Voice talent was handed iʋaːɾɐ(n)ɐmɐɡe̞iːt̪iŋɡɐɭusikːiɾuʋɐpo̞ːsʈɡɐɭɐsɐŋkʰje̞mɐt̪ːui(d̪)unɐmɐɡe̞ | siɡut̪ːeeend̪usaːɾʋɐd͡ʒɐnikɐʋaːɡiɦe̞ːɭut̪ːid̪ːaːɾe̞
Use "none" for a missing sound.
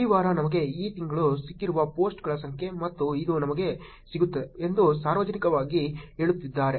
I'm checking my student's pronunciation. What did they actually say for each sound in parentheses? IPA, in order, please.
n, d̪

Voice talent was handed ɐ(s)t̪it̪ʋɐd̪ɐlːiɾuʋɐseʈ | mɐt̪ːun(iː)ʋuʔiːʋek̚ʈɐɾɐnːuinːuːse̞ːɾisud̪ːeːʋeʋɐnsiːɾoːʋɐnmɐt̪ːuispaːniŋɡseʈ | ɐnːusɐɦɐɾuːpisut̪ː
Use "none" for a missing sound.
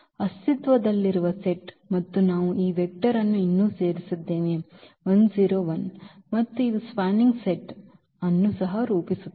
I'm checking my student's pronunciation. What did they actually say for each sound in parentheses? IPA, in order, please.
s, aː

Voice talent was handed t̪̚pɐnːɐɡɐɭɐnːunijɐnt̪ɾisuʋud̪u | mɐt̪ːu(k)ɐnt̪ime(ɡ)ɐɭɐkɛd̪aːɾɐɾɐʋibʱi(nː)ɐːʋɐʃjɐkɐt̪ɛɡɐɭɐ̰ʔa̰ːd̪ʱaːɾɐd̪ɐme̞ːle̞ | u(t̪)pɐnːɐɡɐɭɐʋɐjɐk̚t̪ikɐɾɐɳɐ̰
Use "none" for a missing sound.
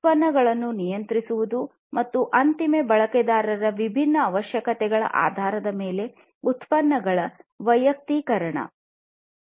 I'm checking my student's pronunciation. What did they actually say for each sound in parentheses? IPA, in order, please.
ʔ, b, nː, t̪

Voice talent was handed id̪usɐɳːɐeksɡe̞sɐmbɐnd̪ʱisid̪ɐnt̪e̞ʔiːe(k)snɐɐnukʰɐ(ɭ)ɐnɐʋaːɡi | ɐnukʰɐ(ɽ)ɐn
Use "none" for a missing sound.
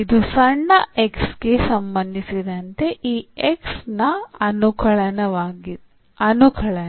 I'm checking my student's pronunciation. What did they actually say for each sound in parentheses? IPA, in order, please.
k, ɭ, ɭ

